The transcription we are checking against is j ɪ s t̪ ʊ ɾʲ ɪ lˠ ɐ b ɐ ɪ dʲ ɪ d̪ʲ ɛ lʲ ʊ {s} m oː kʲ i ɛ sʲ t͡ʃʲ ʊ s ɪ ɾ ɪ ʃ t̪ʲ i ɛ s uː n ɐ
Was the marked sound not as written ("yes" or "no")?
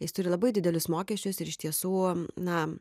no